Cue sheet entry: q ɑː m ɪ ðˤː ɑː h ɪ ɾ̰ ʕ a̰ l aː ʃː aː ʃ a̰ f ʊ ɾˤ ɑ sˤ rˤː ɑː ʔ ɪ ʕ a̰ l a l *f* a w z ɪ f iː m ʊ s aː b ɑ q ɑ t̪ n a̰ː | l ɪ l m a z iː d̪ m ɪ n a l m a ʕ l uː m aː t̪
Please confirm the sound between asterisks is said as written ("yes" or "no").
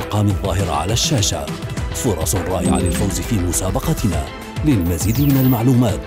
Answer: yes